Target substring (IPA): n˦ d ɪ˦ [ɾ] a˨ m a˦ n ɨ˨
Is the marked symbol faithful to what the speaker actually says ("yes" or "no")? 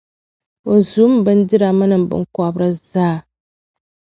yes